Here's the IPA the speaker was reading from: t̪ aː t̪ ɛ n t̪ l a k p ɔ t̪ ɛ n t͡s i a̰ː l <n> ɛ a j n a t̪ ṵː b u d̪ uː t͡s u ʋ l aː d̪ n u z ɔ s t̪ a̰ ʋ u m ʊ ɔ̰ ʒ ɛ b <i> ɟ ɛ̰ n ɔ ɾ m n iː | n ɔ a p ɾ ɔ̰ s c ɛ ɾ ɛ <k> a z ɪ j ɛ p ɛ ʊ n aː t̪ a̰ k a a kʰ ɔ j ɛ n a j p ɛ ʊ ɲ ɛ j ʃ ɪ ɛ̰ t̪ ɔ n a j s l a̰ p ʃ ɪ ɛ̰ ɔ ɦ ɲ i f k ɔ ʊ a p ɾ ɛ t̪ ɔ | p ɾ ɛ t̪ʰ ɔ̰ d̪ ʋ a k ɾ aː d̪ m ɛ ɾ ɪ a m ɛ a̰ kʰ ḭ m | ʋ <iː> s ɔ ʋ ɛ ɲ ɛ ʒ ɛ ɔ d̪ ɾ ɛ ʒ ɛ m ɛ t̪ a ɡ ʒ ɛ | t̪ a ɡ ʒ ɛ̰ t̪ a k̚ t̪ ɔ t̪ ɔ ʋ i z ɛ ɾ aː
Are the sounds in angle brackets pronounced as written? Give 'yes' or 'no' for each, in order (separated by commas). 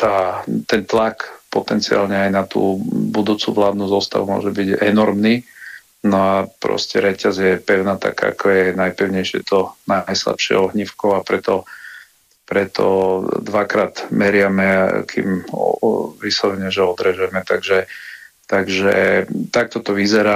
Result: no, yes, no, no